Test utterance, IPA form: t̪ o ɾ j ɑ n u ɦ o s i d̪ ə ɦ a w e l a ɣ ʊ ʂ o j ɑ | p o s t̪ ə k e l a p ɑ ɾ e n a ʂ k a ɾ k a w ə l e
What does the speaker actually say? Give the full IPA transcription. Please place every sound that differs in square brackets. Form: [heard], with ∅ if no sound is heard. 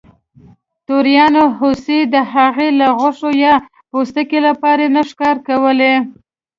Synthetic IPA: t̪ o ɾ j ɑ n [o] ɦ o s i d̪ ə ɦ a [ɣ] e l a ɣ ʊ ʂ o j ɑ | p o s t̪ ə k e l a p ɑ ɾ e n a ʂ k [ɑ] ɾ k a w ə l e